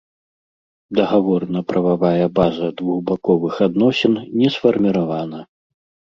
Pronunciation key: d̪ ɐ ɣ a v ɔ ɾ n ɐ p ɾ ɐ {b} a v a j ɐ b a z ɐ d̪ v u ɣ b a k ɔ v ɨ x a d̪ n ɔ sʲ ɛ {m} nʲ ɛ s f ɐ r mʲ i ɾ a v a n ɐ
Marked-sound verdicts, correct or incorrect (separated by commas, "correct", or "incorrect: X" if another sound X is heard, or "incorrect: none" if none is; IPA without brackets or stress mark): incorrect: v, incorrect: n